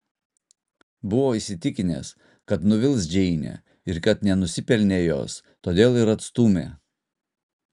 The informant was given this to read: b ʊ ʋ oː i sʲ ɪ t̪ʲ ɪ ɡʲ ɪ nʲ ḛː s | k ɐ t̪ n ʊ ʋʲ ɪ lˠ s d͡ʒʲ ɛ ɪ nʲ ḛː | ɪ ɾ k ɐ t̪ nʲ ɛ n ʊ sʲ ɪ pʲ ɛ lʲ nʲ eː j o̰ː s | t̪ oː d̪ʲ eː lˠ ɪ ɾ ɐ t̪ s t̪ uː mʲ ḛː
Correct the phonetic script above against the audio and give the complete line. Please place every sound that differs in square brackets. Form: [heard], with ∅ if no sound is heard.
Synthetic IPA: b ʊ ʋ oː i sʲ ɪ t̪ʲ ɪ [kʲ] ɪ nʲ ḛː s | k ɐ t̪ n ʊ ʋʲ ɪ lˠ s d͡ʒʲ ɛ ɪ nʲ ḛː | ɪ ɾ k ɐ t̪ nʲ ɛ n ʊ sʲ ɪ pʲ ɛ lʲ nʲ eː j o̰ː s | t̪ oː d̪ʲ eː lˠ ɪ ɾ ɐ t̪ s t̪ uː mʲ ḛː